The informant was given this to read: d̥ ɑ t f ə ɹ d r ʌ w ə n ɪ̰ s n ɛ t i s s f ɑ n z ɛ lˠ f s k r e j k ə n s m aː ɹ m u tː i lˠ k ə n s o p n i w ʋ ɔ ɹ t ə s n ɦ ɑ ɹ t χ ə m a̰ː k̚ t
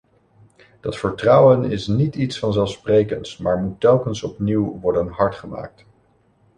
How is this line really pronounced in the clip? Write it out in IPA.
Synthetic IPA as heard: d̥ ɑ t f ə ɹ t r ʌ w ə n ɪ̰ s n i t i t s f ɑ n z ɛ lˠ f s p r e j k ə n s m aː ɹ m u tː ɛ lˠ k ə n s ɔ p n i w ʋ ɔ ɹ d ə n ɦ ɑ ɹ t χ ə m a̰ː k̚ t